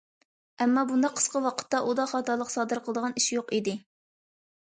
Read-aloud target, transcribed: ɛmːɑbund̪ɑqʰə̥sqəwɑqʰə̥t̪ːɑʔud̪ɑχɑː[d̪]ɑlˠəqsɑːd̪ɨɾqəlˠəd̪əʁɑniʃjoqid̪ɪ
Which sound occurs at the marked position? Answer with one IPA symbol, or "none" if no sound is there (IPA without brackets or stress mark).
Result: t̪